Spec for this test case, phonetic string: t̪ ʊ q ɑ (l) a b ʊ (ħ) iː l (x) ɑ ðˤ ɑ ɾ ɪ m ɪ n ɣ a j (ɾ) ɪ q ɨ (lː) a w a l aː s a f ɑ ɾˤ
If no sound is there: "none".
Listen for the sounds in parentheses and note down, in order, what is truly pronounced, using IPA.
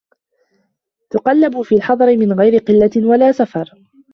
lː, f, ħ, ɾ, lː

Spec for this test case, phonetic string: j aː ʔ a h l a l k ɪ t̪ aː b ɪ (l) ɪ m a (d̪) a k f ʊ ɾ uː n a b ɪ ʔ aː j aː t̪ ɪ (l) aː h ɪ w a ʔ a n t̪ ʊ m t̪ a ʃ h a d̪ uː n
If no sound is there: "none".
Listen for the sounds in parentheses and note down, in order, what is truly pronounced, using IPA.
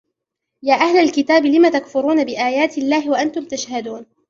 l, t̪, lː

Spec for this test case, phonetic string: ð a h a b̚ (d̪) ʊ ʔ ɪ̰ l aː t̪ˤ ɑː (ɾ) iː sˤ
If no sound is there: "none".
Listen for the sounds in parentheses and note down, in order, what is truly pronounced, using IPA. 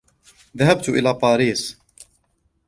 t̪, ɾ

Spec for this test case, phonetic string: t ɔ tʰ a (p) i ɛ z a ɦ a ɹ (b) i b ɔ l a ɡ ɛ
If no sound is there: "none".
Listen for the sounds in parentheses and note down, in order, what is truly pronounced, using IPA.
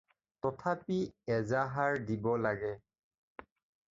p, d

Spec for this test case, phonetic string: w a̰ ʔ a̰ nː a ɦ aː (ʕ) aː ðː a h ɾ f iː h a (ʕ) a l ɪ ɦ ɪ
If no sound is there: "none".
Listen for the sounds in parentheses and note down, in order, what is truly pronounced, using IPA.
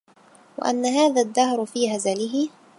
ð, z

